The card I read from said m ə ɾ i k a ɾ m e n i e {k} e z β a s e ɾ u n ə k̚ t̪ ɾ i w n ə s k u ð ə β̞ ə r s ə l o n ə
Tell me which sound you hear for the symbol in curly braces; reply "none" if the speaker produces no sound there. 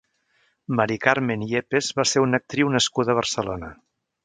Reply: p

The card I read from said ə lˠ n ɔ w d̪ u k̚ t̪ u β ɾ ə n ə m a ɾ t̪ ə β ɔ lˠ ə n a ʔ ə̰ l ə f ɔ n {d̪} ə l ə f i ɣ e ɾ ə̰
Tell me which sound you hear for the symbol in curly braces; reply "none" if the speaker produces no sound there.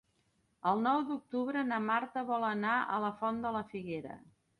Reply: d̪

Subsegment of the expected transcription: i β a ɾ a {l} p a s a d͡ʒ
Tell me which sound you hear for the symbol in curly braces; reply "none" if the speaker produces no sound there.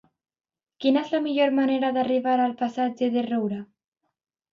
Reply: l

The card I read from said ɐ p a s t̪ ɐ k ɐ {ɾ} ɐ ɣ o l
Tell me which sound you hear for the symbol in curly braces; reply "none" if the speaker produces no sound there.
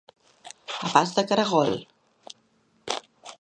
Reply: ɾ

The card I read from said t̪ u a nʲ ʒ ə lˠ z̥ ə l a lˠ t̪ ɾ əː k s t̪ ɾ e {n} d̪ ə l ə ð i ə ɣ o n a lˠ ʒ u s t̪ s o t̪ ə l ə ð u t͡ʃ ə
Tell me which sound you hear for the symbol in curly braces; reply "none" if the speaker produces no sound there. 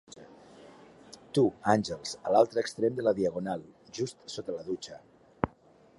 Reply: m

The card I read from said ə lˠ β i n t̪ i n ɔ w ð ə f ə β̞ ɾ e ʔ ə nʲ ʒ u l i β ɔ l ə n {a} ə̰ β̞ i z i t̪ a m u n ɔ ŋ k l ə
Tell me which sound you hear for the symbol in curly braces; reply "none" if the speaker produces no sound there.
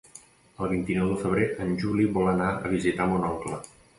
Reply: a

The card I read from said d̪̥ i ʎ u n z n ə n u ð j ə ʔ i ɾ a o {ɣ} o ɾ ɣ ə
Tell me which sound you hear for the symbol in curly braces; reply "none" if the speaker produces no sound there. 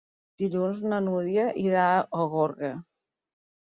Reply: ɣ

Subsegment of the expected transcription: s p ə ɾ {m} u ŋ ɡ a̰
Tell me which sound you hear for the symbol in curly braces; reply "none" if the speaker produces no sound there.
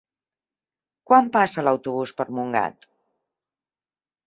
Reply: m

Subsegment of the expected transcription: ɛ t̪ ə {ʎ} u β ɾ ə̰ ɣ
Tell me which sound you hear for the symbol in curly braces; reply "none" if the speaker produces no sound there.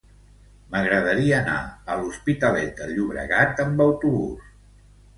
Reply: ʎ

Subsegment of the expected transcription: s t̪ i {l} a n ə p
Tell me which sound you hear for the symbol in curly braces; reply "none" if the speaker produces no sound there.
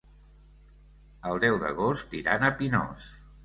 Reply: ɾ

